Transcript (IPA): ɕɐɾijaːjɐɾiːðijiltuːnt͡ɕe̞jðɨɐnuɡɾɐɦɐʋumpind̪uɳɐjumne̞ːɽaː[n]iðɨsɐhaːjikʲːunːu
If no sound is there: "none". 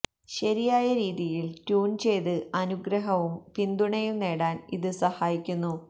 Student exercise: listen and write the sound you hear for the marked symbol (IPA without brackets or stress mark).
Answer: n